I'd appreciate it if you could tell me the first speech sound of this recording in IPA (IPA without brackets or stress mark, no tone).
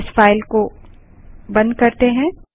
s